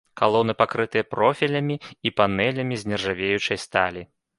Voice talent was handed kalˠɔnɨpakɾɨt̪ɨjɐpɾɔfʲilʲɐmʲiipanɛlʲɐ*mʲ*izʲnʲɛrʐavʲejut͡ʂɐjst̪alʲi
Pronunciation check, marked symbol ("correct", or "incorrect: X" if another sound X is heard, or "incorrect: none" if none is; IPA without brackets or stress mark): correct